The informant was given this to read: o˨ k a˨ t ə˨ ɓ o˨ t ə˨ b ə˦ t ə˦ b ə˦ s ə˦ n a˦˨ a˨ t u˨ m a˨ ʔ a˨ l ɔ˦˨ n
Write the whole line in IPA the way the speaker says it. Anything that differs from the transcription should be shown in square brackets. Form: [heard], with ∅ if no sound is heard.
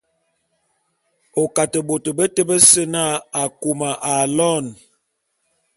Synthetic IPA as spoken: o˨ k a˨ t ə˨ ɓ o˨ t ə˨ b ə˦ t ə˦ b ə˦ s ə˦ n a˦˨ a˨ [k] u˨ m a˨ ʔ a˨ l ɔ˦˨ n

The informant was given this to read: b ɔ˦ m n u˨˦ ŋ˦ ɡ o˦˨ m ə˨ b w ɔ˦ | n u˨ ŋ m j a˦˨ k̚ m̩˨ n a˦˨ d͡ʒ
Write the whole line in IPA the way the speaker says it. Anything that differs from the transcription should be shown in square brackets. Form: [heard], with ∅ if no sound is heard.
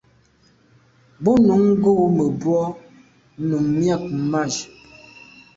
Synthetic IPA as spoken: b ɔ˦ [∅] n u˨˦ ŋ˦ ɡ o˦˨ m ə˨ b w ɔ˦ | n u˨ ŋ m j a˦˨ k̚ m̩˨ [m] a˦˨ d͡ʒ

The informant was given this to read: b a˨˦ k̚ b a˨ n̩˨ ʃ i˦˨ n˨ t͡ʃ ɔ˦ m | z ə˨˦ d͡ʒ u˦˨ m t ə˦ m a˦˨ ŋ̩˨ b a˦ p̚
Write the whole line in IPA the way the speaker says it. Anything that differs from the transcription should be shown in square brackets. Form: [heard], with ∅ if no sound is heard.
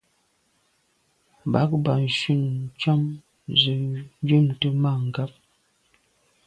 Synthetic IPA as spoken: b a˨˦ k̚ b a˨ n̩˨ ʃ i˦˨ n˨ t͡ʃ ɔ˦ m | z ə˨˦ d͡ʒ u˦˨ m t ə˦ m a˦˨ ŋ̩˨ [ɡ] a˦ p̚

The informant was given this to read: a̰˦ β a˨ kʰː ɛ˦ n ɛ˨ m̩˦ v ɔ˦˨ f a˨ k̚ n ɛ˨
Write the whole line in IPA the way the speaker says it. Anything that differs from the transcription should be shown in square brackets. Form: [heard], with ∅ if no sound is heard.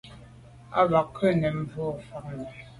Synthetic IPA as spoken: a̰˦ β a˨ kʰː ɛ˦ n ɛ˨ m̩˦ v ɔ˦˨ f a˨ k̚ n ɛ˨

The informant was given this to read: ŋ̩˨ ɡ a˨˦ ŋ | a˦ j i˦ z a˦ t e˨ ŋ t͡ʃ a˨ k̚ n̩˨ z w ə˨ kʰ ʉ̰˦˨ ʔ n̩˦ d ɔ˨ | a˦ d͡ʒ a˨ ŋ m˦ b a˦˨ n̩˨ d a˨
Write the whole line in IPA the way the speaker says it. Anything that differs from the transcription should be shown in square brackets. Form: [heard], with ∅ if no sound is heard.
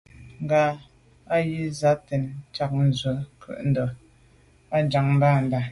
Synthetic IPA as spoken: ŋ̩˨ ɡ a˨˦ [∅] | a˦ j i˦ z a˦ t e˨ [n] t͡ʃ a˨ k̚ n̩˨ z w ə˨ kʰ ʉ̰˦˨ ʔ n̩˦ d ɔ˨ | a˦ d͡ʒ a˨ ŋ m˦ b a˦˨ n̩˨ d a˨

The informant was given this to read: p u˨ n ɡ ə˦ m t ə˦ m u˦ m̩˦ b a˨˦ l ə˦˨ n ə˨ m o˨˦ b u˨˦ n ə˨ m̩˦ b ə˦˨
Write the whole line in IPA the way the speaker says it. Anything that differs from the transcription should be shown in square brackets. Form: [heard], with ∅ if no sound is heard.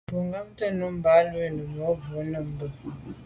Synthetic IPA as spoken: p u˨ [ŋ] ɡ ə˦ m t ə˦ [n] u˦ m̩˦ b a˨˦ l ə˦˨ n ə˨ m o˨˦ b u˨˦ n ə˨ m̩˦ b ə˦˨

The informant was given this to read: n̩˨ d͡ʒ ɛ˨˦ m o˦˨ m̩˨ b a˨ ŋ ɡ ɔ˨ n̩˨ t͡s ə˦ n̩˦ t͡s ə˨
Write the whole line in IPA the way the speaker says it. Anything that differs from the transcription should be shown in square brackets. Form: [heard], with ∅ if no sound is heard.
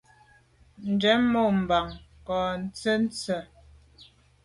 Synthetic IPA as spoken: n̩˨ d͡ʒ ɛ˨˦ m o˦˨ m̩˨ b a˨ ŋ [k] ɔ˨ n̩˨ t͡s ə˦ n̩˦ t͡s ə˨

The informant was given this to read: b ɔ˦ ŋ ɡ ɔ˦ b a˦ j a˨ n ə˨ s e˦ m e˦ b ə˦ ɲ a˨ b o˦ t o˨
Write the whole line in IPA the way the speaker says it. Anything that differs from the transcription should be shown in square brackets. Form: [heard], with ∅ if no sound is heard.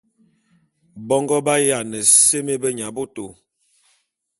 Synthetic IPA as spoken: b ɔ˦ ŋ ɡ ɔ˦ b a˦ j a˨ n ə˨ s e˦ m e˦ b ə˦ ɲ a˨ b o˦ t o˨

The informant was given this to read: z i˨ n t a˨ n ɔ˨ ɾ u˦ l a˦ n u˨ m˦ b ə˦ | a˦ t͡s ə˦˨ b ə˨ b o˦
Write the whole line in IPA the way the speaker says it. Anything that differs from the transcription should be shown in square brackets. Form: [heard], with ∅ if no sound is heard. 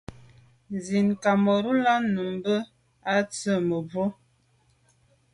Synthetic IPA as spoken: z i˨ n [k] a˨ [m] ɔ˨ ɾ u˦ l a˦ n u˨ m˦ b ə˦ | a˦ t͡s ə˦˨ [m] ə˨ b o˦

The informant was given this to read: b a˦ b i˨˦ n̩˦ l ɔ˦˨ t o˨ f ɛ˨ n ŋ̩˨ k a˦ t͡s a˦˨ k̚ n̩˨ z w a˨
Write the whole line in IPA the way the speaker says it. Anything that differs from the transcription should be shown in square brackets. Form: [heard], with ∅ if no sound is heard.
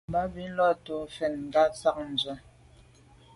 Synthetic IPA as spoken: b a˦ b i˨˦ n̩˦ l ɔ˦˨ t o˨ f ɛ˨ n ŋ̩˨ [ɡ] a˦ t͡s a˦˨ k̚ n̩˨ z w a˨

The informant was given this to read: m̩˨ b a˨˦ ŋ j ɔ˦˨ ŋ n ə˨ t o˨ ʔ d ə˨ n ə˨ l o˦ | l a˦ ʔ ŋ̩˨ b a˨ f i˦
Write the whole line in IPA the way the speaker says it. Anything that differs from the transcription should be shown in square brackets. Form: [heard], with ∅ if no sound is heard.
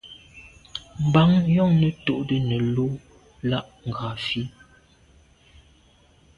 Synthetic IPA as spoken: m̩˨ b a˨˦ ŋ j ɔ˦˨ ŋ n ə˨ t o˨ ʔ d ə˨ n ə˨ l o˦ | l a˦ ʔ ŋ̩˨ [ɡ] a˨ f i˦

